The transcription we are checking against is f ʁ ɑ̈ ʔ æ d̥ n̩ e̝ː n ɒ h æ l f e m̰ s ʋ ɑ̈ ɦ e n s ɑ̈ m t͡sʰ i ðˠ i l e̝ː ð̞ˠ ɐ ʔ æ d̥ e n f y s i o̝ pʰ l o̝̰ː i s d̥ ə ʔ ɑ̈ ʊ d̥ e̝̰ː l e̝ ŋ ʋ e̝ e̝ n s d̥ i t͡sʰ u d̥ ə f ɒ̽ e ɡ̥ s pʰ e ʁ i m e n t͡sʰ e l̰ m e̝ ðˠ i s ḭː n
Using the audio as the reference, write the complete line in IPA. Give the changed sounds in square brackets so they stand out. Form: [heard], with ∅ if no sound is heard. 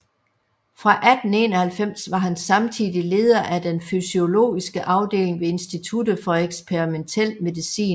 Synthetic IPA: f ʁ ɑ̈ ʔ æ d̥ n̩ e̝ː n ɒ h æ l f e m̰ s ʋ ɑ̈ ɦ [æ] n s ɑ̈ m t͡sʰ i ðˠ i l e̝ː ð̞ˠ ɐ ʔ æ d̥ e n f y s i o̝ [∅] l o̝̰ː i s [ɡ̥] ə ʔ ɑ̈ ʊ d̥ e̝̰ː l e̝ ŋ ʋ e̝ e̝ n s d̥ i t͡sʰ u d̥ ə f ɒ̽ e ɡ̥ s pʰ e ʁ i m e n t͡sʰ e l̰ m e̝ ðˠ i s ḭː n